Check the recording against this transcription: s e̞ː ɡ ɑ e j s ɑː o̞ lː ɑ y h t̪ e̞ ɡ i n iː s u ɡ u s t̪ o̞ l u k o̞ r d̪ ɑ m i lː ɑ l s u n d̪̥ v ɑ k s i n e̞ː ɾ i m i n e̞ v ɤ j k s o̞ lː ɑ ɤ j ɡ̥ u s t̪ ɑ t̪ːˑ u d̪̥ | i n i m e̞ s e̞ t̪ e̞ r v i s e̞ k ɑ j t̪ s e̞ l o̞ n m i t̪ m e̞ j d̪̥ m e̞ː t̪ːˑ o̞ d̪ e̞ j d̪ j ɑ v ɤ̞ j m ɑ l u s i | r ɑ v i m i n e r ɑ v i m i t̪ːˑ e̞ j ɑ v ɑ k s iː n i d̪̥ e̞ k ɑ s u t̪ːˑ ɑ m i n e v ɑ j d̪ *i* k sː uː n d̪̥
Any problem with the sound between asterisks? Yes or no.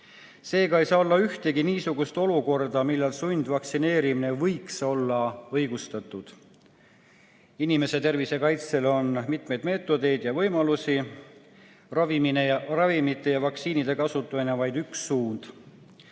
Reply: yes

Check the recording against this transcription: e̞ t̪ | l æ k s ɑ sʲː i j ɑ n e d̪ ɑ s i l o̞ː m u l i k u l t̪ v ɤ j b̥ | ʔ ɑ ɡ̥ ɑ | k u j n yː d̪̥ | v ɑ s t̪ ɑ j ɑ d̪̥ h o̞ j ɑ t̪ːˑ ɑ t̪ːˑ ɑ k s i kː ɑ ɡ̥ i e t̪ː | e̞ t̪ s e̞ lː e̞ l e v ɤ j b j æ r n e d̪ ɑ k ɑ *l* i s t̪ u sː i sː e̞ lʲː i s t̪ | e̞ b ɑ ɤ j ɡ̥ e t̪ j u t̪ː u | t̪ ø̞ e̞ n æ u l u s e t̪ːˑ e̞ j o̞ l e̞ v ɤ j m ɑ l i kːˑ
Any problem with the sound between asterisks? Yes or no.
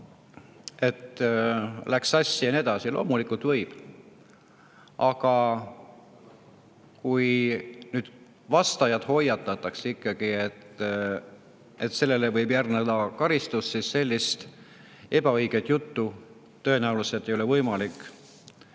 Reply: yes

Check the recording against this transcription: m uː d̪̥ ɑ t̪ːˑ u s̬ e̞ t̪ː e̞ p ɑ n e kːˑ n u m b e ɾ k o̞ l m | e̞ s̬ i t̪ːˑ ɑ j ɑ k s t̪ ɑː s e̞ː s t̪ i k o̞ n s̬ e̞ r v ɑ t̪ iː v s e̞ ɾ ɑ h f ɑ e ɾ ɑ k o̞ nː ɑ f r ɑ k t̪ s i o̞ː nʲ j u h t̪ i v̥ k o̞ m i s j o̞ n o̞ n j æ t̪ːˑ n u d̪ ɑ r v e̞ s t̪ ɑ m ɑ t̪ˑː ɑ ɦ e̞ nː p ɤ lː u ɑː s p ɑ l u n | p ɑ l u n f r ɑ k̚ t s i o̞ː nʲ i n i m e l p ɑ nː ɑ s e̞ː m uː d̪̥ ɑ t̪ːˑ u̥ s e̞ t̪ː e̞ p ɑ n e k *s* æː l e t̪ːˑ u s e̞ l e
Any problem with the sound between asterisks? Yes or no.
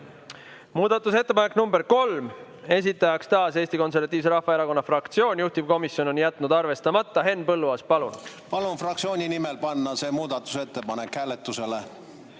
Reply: yes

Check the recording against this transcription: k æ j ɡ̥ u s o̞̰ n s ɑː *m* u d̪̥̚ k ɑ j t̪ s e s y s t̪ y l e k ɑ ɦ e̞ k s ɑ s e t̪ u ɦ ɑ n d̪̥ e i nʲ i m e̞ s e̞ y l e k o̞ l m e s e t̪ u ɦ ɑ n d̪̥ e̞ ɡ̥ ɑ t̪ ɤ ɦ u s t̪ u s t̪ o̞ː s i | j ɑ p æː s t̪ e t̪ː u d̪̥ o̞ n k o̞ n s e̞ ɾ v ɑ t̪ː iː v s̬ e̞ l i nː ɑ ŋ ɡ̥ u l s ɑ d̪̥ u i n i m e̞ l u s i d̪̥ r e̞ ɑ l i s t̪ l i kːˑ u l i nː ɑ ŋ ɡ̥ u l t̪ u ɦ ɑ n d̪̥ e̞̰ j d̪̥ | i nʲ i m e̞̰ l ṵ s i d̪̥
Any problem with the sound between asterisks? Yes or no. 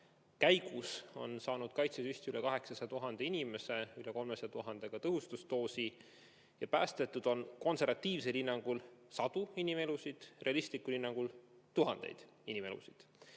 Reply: yes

